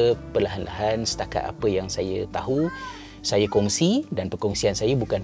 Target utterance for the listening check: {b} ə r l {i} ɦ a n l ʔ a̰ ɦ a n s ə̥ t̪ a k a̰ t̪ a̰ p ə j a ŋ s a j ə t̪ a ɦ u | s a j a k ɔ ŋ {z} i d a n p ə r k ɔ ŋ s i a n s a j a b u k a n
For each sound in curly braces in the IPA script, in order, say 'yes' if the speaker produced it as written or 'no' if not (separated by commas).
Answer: no, no, no